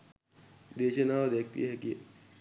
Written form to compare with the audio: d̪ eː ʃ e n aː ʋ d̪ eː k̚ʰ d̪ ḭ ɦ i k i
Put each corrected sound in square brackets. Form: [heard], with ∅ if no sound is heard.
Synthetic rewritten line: d̪ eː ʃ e n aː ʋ d̪ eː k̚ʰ [t̪] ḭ ɦ [ɛ] k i

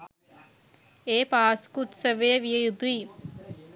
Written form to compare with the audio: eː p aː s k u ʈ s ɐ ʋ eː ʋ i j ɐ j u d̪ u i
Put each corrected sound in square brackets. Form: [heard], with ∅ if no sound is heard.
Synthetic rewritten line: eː p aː s k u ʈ s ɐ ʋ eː ʋ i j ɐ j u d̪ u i

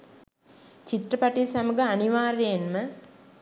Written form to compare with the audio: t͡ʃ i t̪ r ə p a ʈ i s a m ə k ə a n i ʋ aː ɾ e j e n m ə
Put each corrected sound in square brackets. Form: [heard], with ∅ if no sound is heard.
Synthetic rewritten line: t͡ʃ i t̪ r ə p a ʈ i s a m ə [ɡ] ə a n i ʋ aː ɾ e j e n m ə

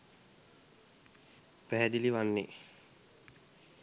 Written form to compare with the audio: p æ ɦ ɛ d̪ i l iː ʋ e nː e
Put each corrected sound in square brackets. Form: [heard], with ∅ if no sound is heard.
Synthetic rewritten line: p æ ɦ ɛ d̪ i l [i] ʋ [a] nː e

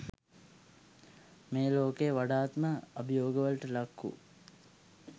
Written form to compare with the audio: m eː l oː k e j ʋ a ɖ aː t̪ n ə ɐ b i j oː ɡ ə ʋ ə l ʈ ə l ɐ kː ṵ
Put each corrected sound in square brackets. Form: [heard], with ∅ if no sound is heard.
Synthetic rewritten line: m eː l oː k e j ʋ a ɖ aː t̪ [m] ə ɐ b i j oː ɡ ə ʋ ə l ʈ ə l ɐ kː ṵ

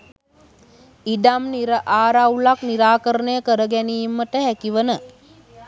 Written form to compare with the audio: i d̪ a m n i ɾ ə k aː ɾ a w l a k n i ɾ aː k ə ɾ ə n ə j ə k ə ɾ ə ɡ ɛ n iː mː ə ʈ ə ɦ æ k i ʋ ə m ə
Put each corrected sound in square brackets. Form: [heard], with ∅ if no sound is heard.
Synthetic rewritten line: i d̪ a m n i ɾ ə [ʔ] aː ɾ a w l a k n i ɾ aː k ə ɾ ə n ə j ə k ə ɾ ə ɡ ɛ n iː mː ə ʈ ə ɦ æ k i ʋ ə [n] ə

